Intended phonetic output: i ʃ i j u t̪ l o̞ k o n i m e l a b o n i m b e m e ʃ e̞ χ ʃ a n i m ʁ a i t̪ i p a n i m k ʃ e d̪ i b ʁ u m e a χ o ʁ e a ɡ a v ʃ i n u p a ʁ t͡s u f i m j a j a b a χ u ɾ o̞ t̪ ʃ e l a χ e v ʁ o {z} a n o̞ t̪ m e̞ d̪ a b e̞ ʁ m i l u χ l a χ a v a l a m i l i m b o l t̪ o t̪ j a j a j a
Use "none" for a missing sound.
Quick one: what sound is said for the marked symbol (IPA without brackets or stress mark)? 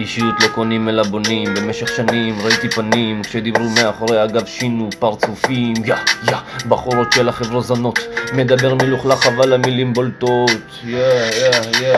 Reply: z